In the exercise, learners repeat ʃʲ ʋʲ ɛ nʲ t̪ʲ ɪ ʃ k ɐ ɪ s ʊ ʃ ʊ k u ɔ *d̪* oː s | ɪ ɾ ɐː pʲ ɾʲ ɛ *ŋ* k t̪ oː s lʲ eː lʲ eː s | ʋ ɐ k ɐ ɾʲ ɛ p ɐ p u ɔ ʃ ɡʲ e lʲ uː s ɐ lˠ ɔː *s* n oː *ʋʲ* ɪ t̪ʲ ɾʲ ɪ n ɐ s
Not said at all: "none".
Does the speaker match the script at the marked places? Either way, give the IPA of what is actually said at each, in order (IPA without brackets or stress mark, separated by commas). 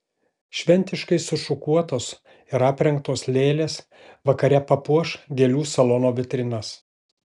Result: t̪, ŋ, none, ʋʲ